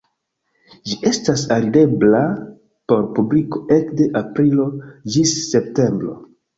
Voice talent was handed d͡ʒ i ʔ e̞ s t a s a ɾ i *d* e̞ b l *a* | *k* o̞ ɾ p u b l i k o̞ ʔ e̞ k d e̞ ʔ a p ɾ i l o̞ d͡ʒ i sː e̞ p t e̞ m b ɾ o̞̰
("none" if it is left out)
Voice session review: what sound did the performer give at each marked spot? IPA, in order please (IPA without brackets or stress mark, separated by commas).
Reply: d, a, p